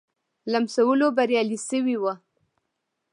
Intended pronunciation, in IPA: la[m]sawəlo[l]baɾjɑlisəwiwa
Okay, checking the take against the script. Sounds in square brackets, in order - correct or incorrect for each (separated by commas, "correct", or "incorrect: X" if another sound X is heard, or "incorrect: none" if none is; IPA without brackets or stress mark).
correct, incorrect: none